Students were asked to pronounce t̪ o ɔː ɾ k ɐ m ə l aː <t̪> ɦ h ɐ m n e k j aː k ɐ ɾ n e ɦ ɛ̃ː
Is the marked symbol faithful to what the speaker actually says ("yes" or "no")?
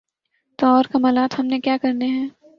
yes